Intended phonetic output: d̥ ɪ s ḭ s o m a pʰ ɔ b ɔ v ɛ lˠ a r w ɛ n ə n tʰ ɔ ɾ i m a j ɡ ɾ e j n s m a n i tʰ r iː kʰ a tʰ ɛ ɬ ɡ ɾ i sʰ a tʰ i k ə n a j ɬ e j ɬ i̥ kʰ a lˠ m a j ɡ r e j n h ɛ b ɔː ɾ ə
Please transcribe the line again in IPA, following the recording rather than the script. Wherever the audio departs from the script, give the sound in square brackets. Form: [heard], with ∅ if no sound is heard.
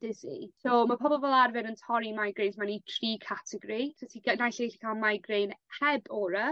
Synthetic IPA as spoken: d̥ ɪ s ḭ s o m a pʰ ɔ b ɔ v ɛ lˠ a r [v] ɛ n ə n tʰ ɔ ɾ i m a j ɡ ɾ e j n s m a n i tʰ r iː kʰ a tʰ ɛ [∅] ɡ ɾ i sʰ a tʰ i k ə n a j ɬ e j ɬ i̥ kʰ a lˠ m a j ɡ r e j n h ɛ b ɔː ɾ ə